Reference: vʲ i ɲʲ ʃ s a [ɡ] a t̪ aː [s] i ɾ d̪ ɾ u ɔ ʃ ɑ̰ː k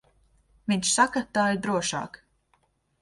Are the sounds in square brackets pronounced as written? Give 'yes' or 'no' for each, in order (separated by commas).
no, no